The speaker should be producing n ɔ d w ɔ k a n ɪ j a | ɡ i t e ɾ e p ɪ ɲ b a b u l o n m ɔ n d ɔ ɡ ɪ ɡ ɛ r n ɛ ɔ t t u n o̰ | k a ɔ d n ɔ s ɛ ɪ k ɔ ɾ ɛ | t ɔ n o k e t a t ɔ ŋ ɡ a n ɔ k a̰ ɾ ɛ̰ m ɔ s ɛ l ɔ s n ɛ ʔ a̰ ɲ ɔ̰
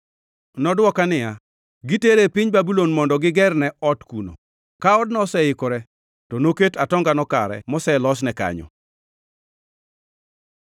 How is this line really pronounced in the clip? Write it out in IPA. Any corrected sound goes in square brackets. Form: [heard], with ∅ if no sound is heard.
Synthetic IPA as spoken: n ɔ d w ɔ k a n ɪ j a | ɡ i t e ɾ e p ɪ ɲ b a b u l o n m ɔ n d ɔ ɡ ɪ ɡ ɛ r n ɛ ɔ t [k] u n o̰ | k a ɔ d n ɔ s ɛ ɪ k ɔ ɾ ɛ | t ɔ n o k e t a t ɔ ŋ ɡ a n ɔ k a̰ ɾ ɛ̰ m ɔ s ɛ l ɔ s n ɛ [k] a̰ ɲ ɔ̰